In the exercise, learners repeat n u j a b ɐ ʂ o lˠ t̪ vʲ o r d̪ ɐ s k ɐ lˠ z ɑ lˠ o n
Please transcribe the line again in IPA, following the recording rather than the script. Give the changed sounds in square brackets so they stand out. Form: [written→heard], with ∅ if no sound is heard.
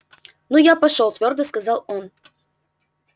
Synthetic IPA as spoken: n u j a [b→p] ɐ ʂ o lˠ t̪ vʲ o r d̪ [ɐ→ə] s k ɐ [lˠ→∅] z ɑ lˠ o n

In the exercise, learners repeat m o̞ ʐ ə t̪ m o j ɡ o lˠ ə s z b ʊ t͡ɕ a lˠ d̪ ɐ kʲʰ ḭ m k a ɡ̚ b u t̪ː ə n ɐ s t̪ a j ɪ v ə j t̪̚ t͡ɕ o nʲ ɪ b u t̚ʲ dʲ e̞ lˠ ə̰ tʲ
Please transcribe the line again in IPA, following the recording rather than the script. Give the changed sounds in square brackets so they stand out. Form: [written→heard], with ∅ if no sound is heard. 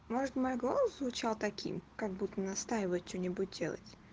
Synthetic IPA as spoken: m o̞ ʐ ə t̪ m o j ɡ o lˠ ə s z [b→v] ʊ t͡ɕ a lˠ [d̪→t̪] ɐ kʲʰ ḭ m k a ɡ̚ b u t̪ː ə n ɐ s t̪ a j ɪ v ə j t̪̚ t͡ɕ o nʲ ɪ b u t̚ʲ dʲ e̞ lˠ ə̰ tʲ

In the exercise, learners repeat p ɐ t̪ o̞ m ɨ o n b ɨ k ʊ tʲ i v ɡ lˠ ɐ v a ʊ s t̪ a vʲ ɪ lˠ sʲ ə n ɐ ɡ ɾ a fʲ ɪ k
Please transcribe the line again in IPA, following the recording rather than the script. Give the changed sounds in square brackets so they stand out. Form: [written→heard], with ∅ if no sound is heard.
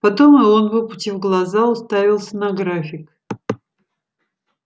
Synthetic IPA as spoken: p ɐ t̪ o̞ m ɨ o n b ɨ [k→p] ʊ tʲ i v ɡ lˠ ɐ [v→z] a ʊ s t̪ a vʲ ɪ lˠ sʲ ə n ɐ ɡ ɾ a fʲ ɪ k

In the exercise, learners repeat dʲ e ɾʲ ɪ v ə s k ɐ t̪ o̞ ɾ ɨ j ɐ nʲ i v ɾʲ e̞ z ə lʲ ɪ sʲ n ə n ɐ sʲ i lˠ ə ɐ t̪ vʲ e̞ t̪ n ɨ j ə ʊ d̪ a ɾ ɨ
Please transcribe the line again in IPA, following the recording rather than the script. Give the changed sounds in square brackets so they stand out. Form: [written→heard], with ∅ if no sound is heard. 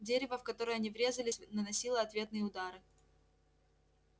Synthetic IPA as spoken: dʲ e ɾʲ ɪ v ə [s→f] k ɐ t̪ o̞ ɾ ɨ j ɐ nʲ i v ɾʲ e̞ z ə lʲ ɪ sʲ n ə n ɐ sʲ i lˠ ə ɐ t̪ vʲ e̞ t̪ n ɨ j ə ʊ d̪ a ɾ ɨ

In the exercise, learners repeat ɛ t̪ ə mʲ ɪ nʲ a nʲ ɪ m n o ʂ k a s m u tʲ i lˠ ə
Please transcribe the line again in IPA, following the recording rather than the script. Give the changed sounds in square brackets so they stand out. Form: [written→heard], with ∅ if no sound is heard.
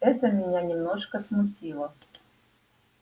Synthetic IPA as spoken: ɛ t̪ ə mʲ ɪ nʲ a nʲ ɪ m n o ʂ k [a→ə] s m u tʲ i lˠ ə

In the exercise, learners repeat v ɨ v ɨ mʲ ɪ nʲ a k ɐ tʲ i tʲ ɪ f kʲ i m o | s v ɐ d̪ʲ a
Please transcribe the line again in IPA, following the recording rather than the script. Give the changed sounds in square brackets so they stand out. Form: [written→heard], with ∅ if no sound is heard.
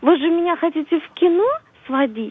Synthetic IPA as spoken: v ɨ [v→ʐ] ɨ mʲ ɪ nʲ a [k→x] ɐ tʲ i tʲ ɪ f kʲ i [m→n] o | s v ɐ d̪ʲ [a→i]

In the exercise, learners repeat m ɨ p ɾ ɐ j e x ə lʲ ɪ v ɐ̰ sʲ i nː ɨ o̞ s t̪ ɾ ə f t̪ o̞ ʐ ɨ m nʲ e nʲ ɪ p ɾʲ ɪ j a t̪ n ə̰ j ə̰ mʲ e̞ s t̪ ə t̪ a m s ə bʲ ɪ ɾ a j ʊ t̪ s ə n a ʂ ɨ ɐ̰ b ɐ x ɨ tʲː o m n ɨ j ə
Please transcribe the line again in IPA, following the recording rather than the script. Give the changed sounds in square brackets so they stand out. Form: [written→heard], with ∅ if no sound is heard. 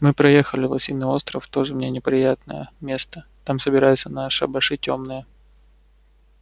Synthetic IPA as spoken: m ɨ p ɾ ɐ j e x ə lʲ ɪ v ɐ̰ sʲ i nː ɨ o̞ s t̪ ɾ ə f t̪ o̞ ʐ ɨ m nʲ e nʲ ɪ p ɾʲ ɪ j a t̪ n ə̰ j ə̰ mʲ e̞ s t̪ ə t̪ a m s ə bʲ ɪ ɾ a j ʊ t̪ s ə n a ʂ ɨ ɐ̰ b ɐ [x→ʂ] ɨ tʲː o m n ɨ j ə

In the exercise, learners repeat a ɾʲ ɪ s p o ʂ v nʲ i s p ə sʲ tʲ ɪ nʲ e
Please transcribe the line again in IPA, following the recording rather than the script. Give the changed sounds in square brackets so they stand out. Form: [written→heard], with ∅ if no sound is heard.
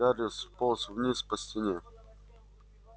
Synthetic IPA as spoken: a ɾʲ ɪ s p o [ʂ→s] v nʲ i s p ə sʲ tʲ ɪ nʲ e

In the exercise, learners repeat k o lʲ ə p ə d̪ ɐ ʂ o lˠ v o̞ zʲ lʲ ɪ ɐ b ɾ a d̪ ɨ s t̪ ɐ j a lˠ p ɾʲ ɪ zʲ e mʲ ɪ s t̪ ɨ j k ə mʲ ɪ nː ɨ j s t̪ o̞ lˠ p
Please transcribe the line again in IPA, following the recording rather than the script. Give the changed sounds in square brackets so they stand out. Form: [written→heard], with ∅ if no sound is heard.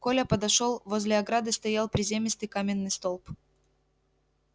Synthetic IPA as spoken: k o lʲ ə p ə d̪ ɐ ʂ o lˠ v o̞ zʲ lʲ ɪ ɐ [b→ɡ] ɾ a d̪ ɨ s t̪ ɐ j a lˠ p ɾʲ ɪ zʲ e mʲ ɪ s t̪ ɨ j k [ə→a] mʲ ɪ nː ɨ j s t̪ o̞ lˠ p

